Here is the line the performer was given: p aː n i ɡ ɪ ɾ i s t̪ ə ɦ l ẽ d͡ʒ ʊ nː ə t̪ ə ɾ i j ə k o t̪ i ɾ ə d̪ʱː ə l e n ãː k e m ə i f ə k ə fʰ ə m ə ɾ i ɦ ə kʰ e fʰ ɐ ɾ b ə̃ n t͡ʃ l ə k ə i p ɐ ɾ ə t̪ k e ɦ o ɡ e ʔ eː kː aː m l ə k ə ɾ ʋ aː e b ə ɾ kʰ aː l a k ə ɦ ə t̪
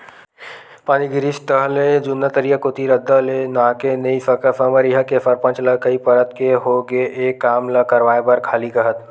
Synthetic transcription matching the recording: p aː n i ɡ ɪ ɾ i s t̪ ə ɦ l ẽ d͡ʒ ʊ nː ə t̪ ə ɾ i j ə k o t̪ i ɾ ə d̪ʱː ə l e n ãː k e n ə i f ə k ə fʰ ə m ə ɾ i ɦ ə k e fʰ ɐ ɾ p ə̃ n t͡ʃ l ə k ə i p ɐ ɾ ə t̪ k e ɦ o ɡ e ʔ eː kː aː m l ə k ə ɾ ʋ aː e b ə ɾ kʰ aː l i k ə ɦ ə t̪